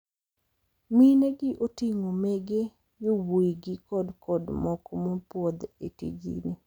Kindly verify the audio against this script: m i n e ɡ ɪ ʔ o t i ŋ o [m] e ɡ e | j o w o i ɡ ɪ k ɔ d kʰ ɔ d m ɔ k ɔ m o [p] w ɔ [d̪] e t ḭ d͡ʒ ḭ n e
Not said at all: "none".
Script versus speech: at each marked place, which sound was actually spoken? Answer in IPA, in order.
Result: m, p, d̪

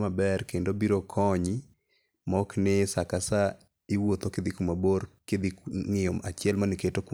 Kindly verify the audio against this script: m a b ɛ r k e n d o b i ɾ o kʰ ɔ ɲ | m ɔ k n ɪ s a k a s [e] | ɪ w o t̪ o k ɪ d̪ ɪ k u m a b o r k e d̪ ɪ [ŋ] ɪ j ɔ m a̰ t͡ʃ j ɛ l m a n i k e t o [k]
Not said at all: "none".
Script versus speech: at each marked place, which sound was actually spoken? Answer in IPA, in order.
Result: a, ŋ, k

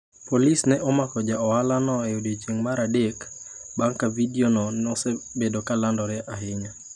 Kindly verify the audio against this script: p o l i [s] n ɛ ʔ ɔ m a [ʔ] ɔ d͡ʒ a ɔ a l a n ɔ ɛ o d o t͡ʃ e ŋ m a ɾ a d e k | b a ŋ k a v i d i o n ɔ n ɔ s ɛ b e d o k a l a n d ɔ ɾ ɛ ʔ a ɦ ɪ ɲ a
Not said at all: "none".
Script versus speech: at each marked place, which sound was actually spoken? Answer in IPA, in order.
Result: s, k

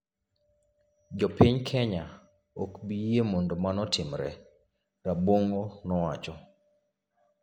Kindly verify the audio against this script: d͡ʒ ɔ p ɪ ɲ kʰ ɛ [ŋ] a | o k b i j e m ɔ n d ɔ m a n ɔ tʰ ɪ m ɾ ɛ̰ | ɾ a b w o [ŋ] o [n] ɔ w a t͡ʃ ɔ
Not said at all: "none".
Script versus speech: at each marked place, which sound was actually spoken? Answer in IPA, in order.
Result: ɲ, ŋ, n

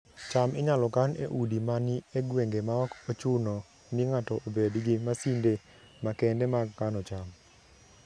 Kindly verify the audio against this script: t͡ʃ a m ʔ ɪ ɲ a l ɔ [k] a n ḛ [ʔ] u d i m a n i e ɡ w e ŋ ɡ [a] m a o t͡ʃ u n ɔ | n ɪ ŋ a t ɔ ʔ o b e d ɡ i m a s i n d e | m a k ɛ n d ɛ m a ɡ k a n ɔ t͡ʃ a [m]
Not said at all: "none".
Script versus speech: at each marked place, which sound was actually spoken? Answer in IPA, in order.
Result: k, ʔ, e, m

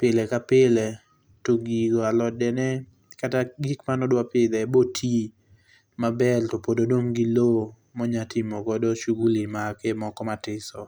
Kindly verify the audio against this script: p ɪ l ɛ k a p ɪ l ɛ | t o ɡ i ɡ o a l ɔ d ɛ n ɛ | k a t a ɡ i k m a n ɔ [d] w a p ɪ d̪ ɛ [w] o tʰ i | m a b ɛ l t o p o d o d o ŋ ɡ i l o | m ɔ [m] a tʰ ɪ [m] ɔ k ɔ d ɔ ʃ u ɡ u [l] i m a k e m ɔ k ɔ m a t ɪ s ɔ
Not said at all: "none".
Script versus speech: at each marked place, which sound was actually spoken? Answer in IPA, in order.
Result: d, b, ɲ, m, l

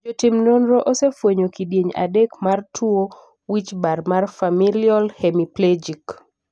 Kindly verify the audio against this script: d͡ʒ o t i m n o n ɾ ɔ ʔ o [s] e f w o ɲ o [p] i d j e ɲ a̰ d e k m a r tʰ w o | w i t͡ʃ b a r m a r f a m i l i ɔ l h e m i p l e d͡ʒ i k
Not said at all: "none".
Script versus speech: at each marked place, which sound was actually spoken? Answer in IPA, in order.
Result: s, k

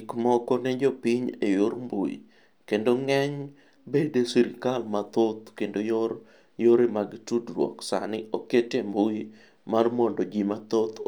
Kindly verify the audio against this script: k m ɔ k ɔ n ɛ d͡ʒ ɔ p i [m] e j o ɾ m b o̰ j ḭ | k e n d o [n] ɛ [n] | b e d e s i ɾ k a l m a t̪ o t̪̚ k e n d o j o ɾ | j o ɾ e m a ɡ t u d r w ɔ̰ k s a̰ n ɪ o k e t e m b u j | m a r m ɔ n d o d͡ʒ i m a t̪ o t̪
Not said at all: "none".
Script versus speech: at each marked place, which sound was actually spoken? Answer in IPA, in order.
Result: ɲ, ŋ, ɲ

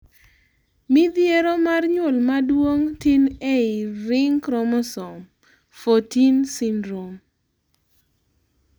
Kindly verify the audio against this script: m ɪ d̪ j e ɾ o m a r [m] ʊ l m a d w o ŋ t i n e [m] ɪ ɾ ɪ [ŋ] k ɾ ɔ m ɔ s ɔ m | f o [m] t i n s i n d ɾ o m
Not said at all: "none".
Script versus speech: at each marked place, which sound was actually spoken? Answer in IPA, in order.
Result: ɲ, none, ŋ, none

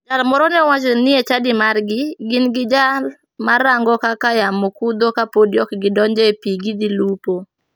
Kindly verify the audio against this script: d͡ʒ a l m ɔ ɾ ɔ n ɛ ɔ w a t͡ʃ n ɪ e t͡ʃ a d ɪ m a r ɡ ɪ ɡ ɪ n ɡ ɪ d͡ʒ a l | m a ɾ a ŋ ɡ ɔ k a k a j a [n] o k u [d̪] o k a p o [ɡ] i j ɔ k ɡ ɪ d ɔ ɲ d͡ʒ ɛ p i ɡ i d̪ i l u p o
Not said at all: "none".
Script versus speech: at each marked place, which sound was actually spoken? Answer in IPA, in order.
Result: m, d̪, d

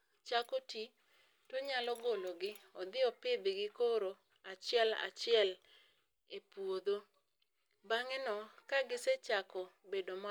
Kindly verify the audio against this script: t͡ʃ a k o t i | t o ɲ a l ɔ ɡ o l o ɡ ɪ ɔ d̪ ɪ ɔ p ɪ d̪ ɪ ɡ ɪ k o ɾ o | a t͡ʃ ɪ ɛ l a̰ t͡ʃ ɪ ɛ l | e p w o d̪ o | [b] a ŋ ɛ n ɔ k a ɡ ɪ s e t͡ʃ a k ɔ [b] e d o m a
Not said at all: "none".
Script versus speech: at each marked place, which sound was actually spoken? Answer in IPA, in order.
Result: b, b

